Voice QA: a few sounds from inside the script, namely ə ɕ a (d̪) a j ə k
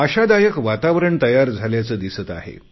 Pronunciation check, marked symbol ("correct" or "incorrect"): correct